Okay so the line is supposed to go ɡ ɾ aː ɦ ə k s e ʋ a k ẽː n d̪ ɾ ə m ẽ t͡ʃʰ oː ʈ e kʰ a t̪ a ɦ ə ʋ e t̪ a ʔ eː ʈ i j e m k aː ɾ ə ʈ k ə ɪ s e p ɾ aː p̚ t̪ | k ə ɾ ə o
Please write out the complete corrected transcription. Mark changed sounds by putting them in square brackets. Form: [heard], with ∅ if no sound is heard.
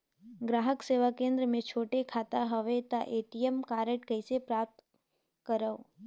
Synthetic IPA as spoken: ɡ ɾ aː ɦ ə k s e ʋ a k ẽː n d̪ ɾ ə m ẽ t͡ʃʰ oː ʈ e kʰ a t̪ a ɦ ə ʋ e t̪ a ʔ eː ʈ i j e m k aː ɾ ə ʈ k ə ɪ s e p ɾ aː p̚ t̪ | k ə ɾ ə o